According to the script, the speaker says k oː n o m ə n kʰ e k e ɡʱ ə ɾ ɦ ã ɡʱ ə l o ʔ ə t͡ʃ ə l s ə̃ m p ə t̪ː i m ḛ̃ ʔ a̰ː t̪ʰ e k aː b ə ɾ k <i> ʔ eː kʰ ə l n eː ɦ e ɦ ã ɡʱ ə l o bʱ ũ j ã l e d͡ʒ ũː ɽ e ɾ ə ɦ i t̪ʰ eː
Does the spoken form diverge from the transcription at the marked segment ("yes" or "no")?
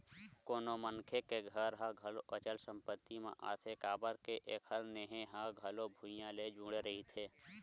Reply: yes